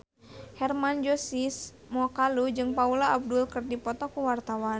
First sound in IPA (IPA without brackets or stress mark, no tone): h